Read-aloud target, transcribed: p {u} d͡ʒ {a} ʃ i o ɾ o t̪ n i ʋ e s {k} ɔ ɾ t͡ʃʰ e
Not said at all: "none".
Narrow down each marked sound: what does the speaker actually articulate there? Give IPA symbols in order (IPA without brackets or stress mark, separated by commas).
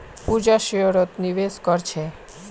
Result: u, a, k